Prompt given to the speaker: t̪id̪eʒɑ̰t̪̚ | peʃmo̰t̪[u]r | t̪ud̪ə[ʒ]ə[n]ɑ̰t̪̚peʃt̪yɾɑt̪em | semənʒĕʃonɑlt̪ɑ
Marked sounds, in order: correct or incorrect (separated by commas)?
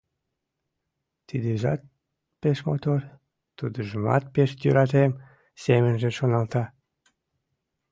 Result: incorrect, correct, incorrect